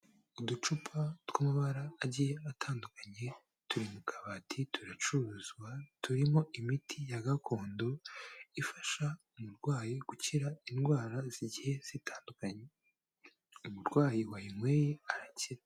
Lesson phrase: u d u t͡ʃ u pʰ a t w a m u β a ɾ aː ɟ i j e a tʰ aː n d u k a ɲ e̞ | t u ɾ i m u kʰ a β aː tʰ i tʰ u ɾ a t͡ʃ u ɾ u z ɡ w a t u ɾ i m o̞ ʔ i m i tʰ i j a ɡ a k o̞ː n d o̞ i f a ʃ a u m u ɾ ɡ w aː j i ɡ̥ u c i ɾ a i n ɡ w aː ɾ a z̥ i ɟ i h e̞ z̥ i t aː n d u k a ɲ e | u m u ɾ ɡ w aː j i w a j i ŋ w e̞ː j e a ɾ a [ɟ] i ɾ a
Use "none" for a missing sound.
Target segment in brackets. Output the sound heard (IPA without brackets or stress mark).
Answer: c